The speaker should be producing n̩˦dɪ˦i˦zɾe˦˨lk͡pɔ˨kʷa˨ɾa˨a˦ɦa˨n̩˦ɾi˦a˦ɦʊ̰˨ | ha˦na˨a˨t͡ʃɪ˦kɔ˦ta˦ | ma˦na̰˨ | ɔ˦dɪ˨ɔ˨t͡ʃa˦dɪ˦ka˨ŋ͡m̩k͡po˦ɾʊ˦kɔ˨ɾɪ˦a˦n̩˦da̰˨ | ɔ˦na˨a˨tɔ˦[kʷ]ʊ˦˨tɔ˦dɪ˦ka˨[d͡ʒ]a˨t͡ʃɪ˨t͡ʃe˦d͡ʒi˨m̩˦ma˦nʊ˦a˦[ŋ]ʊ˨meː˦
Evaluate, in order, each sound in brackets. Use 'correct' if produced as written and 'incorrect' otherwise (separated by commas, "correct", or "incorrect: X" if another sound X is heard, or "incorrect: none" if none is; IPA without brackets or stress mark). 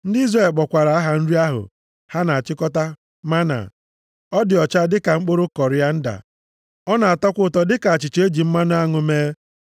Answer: correct, incorrect: none, correct